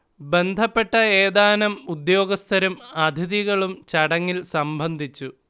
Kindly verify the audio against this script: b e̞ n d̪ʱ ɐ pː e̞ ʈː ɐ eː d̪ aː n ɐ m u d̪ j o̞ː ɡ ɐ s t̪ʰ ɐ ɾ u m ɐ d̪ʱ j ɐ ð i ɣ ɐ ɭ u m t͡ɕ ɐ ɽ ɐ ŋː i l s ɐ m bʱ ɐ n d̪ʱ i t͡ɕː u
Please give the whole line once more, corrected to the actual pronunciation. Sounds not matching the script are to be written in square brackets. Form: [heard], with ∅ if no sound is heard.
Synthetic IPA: b e̞ n d̪ʱ ɐ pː e̞ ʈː ɐ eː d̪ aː n ɐ m u d̪ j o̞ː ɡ ɐ s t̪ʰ ɐ ɾ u m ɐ d̪ʱ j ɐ ð i ɣ ɐ ɭ u m t͡ɕ ɐ ɽ ɐ ŋː i l s ɐ m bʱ ɐ n d̪ʱ i t͡ɕː u